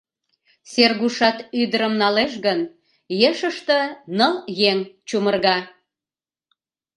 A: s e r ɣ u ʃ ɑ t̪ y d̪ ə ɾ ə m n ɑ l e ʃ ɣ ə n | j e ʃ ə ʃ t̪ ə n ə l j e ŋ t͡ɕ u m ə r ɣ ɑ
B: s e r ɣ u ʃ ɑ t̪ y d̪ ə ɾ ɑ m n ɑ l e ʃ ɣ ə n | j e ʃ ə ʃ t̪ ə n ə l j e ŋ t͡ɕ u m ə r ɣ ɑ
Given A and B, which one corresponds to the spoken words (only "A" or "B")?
A